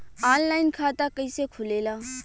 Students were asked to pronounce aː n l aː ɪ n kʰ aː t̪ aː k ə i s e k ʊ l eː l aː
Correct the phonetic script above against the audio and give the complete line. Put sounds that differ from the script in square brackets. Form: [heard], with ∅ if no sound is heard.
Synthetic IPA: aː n l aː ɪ n kʰ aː t̪ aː k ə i s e [kʰ] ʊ l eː l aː